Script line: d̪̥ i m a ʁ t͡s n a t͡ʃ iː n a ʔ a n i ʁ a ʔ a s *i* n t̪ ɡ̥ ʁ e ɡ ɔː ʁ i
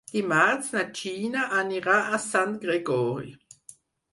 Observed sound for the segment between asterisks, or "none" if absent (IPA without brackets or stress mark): a